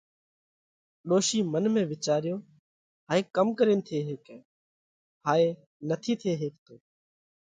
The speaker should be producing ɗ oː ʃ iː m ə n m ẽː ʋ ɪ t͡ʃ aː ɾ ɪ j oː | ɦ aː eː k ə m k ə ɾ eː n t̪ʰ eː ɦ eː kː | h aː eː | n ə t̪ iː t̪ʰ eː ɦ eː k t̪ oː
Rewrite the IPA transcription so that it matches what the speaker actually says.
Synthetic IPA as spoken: ɗ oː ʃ iː m ə n m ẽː ʋ ɪ t͡ʃ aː ɾ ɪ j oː | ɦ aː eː k ə m k ə ɾ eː n t̪ʰ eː ɦ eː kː | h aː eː | n ə t̪ʰ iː t̪ʰ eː ɦ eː k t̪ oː